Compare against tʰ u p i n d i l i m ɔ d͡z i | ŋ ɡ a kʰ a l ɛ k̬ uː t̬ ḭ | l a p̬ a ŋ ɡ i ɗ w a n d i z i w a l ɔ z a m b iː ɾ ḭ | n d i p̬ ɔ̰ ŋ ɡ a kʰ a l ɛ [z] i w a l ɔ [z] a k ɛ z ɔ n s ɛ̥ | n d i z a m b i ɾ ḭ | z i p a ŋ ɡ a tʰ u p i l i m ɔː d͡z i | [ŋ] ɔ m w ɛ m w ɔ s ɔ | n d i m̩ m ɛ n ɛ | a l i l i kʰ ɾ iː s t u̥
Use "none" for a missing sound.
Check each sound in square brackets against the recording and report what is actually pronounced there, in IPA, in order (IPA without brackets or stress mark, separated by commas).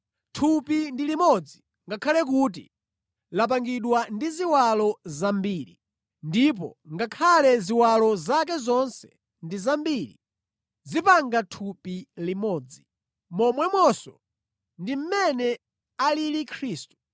z, z, m